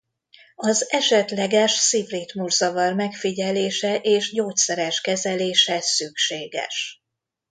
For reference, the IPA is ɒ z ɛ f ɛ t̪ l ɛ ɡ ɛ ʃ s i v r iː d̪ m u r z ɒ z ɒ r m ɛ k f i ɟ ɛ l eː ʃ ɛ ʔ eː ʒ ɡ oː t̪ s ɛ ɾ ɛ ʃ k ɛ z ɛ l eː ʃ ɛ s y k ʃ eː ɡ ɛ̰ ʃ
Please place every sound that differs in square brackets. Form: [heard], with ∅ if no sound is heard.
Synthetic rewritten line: ɒ z ɛ [ʃ] ɛ t̪ l ɛ ɡ ɛ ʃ s i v r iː [t̪] m u r z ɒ [v] ɒ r m ɛ k f i ɟ ɛ l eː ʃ ɛ ʔ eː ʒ [ɟ] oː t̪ s ɛ ɾ ɛ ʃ k ɛ z ɛ l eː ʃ ɛ s y k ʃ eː ɡ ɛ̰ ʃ

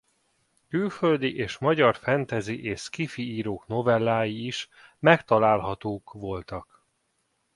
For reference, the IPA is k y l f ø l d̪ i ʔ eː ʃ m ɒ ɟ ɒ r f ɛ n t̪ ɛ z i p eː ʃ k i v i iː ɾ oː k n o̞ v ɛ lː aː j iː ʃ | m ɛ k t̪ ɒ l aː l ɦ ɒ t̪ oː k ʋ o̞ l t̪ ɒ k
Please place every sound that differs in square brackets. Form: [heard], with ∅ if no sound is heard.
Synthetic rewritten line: k y l f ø l d̪ i ʔ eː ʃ m ɒ ɟ ɒ r f ɛ n t̪ ɛ z i [ʔ] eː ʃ k i [f] i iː ɾ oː k n o̞ v ɛ lː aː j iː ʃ | m ɛ k t̪ ɒ l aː l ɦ ɒ t̪ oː k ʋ o̞ l t̪ ɒ k

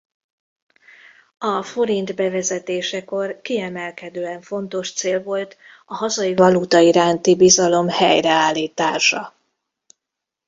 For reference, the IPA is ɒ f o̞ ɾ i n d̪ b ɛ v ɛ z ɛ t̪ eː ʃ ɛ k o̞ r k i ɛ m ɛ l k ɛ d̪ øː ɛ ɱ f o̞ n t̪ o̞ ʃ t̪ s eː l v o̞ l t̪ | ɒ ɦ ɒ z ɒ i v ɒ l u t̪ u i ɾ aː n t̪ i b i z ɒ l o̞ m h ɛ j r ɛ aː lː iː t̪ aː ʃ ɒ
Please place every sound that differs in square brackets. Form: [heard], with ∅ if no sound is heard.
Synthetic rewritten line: ɒ f o̞ ɾ i n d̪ b ɛ v ɛ z ɛ t̪ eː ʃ ɛ k o̞ r k i ɛ m ɛ l k ɛ d̪ øː ɛ ɱ f o̞ n t̪ o̞ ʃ t̪ s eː l v o̞ l t̪ | ɒ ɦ ɒ z ɒ i v ɒ l u t̪ [ɒ] i ɾ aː n t̪ i b i z ɒ l o̞ m h ɛ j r ɛ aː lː iː t̪ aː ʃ ɒ

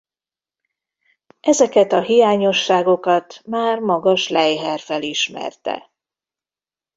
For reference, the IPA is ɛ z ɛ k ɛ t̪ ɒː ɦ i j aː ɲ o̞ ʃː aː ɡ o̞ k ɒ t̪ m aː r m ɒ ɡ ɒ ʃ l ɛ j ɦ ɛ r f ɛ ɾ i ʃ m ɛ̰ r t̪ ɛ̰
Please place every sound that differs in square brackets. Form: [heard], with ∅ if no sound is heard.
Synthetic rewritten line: ɛ z ɛ k ɛ t̪ [ɒ] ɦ i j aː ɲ o̞ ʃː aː ɡ o̞ k ɒ t̪ m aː r m ɒ ɡ ɒ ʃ l ɛ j ɦ ɛ r f ɛ [l] i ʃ m ɛ̰ r t̪ ɛ̰

